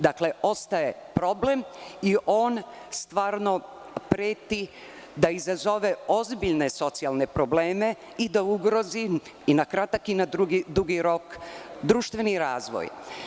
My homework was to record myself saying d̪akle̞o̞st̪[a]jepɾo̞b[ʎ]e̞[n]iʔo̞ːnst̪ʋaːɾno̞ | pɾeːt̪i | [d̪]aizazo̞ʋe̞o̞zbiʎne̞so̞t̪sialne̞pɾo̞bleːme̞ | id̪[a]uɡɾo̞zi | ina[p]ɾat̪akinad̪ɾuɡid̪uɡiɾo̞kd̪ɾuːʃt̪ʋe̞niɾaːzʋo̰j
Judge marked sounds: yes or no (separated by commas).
yes, no, no, yes, yes, no